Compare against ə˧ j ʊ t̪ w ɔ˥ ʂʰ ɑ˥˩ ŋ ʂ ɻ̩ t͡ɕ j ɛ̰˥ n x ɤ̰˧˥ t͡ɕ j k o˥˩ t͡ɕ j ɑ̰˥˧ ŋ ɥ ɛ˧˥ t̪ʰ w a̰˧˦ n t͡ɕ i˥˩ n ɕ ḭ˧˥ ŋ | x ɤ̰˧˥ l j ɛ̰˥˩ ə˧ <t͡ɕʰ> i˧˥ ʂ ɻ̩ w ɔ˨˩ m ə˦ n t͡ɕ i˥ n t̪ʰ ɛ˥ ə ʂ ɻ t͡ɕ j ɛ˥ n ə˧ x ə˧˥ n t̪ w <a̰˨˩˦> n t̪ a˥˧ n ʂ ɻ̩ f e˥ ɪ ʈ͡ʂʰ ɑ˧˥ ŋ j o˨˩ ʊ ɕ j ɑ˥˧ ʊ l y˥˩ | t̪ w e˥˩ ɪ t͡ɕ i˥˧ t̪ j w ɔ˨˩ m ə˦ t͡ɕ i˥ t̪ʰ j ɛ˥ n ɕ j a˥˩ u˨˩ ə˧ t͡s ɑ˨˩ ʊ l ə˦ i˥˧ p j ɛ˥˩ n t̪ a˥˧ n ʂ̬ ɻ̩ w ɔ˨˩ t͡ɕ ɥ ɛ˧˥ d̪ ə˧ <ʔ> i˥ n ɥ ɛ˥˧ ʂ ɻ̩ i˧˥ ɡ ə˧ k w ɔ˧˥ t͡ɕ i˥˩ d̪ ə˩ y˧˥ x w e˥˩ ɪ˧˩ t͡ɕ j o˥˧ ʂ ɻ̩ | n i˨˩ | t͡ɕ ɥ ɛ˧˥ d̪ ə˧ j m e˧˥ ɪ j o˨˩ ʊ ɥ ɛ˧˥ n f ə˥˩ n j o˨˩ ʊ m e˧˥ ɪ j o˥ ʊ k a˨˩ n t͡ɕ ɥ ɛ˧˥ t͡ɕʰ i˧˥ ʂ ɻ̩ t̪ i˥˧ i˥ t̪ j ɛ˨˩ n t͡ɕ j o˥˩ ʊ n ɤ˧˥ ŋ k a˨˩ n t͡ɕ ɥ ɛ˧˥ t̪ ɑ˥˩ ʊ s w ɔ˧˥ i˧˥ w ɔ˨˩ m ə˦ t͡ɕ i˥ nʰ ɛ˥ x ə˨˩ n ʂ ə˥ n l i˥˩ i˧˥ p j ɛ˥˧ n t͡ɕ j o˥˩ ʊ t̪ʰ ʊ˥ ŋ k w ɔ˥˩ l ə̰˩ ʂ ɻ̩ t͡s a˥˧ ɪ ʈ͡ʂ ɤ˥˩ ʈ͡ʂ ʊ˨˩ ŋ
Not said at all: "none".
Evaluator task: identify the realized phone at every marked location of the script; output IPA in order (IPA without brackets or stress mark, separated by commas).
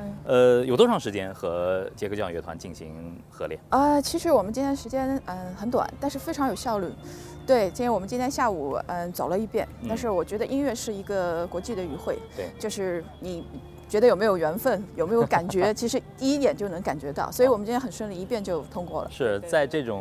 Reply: t͡ɕʰ, a̰˨˩˦, ʔ